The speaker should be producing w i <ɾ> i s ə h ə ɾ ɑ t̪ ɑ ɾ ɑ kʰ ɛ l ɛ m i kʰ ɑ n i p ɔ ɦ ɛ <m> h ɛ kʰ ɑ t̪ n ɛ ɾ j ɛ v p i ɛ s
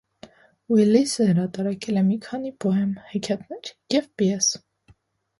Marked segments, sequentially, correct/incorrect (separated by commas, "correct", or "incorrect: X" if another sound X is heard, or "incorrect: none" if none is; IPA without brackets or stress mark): incorrect: l, correct